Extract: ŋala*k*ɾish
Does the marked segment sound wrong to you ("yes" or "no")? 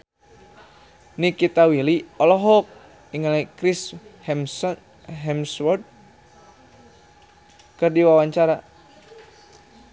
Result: no